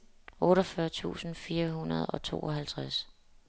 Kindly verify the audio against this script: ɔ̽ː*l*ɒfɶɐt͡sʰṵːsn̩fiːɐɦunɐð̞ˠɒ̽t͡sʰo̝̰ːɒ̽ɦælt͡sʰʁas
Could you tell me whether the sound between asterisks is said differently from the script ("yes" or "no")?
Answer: yes